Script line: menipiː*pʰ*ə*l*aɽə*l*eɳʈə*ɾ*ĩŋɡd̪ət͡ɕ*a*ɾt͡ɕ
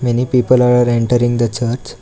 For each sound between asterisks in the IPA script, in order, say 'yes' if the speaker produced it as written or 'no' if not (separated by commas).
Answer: no, yes, no, yes, no